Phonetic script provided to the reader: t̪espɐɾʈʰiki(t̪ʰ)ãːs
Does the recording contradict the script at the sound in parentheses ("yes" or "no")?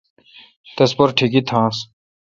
no